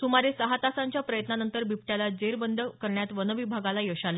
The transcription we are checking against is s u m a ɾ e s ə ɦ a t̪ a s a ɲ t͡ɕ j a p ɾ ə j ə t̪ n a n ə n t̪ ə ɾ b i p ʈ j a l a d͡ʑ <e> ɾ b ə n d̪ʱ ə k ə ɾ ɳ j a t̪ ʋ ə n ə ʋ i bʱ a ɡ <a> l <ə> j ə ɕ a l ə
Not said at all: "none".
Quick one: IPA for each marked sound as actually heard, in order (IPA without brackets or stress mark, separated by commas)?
e, a, a